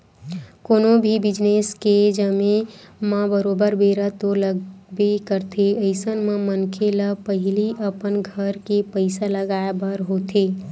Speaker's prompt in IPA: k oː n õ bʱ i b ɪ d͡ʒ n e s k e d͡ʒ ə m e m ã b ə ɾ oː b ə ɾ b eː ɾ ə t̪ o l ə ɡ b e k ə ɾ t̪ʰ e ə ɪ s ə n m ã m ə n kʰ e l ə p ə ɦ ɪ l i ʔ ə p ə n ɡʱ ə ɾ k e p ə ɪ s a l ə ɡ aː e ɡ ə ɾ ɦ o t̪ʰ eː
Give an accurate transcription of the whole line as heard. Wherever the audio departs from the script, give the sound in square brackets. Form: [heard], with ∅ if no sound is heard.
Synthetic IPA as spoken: k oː n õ bʱ i b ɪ d͡ʒ n e s k e d͡ʒ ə m e m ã b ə ɾ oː b ə ɾ b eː ɾ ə t̪ o l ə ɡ b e k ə ɾ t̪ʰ e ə ɪ s ə n m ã m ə n kʰ e l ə p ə ɦ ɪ l i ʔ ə p ə n ɡʱ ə ɾ k e p ə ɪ s a l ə ɡ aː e [b] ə ɾ ɦ o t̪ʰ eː